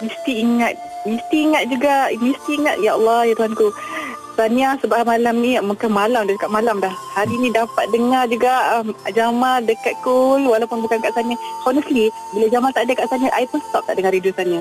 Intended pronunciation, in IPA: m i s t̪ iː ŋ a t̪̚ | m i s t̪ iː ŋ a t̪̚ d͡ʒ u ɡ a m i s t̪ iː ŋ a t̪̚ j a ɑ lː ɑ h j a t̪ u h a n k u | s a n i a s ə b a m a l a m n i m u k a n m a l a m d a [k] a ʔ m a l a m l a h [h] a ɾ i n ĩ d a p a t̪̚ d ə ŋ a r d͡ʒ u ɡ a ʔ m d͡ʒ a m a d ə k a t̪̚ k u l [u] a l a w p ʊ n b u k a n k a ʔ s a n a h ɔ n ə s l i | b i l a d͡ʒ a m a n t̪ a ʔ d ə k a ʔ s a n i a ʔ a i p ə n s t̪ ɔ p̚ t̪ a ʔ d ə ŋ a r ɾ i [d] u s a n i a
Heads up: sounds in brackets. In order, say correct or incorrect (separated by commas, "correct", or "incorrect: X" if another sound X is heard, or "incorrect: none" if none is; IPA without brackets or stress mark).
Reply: correct, correct, incorrect: w, correct